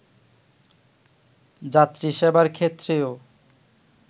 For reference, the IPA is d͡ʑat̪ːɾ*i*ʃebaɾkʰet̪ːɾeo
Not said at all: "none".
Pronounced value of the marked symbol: i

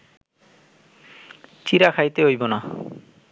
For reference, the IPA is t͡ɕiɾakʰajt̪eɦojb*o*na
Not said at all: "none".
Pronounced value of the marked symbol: o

